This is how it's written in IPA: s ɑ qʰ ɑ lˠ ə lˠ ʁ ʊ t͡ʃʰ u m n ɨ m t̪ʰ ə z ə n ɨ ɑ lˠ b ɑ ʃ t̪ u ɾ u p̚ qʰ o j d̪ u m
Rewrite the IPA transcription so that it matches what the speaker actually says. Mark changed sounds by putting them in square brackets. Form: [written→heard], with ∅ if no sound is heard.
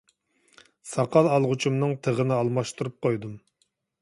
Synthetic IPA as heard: s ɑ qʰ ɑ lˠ [ə→ɑ] lˠ ʁ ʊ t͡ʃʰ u m n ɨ [m→ŋ] t̪ʰ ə [z→ʁ] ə n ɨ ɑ lˠ [b→m] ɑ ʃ t̪ u ɾ u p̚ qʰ o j d̪ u m